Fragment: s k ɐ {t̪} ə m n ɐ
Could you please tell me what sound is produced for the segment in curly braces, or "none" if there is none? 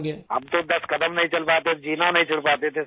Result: d̪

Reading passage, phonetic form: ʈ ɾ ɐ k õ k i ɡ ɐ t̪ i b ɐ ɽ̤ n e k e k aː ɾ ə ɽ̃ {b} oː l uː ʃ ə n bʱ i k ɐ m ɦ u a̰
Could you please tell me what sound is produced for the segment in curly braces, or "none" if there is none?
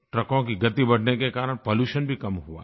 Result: p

